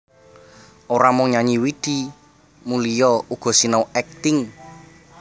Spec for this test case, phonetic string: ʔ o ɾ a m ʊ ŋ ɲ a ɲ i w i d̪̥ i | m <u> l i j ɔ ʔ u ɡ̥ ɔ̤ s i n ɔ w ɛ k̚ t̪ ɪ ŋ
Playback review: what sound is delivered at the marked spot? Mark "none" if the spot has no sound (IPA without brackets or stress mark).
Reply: u